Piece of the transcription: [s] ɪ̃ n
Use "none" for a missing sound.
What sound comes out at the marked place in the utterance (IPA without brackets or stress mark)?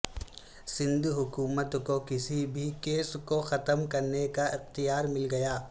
s